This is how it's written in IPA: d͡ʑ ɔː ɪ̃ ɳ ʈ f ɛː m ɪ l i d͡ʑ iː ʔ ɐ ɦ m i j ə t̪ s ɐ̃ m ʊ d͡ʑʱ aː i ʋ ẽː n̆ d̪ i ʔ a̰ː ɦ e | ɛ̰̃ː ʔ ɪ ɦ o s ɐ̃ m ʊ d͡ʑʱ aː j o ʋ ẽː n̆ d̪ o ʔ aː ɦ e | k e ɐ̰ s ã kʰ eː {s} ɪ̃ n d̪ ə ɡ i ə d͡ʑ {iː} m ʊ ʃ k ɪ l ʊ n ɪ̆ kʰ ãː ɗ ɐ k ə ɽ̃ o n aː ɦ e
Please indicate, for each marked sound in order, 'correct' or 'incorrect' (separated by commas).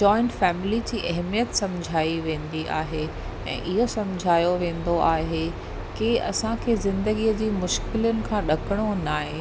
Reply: incorrect, correct